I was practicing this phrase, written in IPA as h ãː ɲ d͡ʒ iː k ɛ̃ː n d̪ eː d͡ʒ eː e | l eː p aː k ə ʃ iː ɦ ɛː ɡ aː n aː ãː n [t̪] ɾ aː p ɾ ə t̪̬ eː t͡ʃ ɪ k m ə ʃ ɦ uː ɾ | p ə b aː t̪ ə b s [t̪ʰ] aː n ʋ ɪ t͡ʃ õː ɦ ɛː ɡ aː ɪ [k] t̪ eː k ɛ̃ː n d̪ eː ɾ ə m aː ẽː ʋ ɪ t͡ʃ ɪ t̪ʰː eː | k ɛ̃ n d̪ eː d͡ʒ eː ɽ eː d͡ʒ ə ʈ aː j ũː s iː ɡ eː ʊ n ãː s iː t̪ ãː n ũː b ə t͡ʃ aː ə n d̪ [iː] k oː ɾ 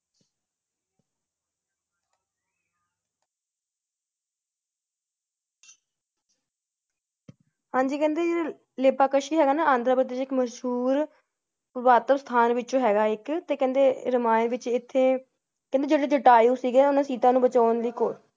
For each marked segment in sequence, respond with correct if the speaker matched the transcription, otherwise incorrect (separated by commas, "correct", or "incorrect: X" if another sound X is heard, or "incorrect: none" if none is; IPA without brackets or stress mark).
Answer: incorrect: d̪, correct, correct, correct